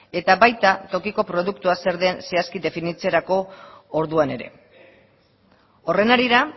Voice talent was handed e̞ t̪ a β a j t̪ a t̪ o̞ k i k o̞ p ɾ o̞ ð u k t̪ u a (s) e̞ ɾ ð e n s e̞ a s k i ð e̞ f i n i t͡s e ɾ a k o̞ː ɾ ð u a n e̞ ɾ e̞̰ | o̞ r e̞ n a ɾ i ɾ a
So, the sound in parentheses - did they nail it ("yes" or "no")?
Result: yes